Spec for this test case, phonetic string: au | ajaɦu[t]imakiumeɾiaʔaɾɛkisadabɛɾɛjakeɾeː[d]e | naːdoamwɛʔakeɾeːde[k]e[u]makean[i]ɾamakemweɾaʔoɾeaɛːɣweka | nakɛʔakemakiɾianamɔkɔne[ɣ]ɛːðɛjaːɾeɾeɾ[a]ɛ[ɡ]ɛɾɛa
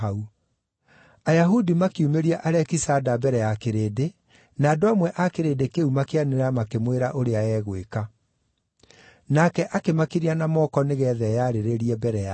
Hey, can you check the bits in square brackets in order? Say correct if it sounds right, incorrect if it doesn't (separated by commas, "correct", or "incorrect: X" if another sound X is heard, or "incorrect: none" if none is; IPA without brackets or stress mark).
incorrect: d, correct, correct, correct, incorrect: e, correct, incorrect: i, incorrect: b